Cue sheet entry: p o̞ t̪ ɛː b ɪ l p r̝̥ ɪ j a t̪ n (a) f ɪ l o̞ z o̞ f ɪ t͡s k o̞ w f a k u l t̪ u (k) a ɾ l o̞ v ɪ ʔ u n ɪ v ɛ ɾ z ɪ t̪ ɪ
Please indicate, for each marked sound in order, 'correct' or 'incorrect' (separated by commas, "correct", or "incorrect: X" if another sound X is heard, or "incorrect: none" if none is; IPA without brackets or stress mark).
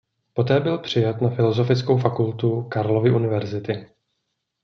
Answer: correct, correct